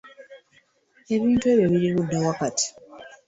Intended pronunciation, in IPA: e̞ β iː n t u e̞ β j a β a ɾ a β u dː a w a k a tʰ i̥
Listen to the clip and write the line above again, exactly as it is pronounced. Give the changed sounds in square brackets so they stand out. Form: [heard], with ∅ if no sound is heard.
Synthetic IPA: e̞ β iː n t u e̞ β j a β [i] ɾ [i] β u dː a w a k a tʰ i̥

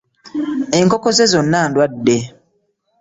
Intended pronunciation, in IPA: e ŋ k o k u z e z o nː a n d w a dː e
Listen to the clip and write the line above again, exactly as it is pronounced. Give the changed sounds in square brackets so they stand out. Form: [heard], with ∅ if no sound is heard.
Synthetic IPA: e ŋ k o k [o] z e z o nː a n d w a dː e

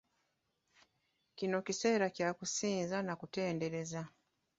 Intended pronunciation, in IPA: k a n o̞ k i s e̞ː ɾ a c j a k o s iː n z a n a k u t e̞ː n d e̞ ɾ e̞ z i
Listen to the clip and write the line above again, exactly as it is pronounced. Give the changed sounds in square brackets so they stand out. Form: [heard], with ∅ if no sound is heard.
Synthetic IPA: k [i] n o̞ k i s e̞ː ɾ a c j a k [u] s iː n z a n a k u t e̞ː n d e̞ ɾ e̞ z [a]

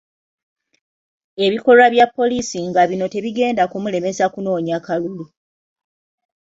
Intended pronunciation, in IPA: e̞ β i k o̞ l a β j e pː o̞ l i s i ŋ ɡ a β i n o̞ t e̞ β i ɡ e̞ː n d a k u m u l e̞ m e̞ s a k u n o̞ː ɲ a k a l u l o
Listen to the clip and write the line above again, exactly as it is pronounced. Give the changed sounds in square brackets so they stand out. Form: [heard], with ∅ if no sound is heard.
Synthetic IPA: e̞ β i k o̞ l a β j [a] pː o̞ l i s i ŋ ɡ a β i n o̞ t e̞ β i ɡ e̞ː n d a k u m u l e̞ m e̞ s a k u n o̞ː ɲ a k a l u l [u]

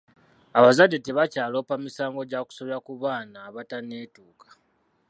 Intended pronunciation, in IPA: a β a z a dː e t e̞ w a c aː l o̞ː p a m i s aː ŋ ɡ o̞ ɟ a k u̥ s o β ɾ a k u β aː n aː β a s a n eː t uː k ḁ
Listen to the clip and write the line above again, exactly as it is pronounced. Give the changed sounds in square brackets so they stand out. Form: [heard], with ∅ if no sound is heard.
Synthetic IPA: a β a z a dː e t e̞ [β] a c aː l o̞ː p a m i s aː ŋ ɡ o̞ ɟ a k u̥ s o β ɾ a k u β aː n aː β a [t] a n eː t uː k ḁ

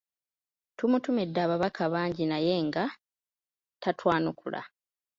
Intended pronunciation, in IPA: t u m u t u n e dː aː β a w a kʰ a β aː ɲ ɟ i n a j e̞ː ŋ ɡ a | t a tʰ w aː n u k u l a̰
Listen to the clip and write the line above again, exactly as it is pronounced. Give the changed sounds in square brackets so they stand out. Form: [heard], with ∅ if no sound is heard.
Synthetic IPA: t u m u t u [m] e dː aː β a [β] a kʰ a β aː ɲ ɟ i n a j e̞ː ŋ ɡ a | t a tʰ w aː n u k u l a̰

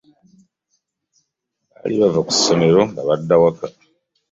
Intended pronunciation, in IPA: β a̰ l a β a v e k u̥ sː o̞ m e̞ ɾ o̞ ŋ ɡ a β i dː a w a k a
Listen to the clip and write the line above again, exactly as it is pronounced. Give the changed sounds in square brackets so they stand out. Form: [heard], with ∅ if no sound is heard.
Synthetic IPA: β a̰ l [i] β a v [a] k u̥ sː o̞ m e̞ ɾ o̞ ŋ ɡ a β [a] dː a w a k a

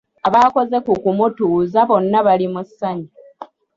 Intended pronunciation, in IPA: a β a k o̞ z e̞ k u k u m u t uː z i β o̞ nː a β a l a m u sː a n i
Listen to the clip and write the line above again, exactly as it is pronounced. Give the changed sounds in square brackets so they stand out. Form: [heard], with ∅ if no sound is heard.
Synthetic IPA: a β a k o̞ z e̞ k u k u m u t uː z [a] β o̞ nː a β a l [i] m u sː a [ɲ] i

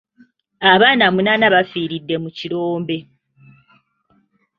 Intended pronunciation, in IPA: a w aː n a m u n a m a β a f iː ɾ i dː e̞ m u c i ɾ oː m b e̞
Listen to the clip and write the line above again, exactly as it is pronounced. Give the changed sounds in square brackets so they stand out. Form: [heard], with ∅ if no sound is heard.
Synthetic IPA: a [β] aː n a m u n a [n] a β a f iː ɾ i dː e̞ m u c i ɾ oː m b e̞

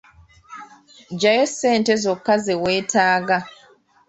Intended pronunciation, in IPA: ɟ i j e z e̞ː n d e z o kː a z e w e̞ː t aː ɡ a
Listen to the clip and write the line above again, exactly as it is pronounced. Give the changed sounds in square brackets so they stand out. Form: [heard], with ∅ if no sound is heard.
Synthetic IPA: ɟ [a] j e [s] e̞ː n [t] e z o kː a z e w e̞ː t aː ɡ a

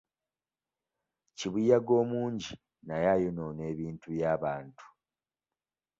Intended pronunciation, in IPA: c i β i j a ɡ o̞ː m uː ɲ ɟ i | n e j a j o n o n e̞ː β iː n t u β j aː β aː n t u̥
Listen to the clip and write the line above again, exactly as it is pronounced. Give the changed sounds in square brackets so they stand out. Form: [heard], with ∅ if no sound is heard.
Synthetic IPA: c i β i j a ɡ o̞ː m uː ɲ ɟ i | n [a] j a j o n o n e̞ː β iː n t u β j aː β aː n t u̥

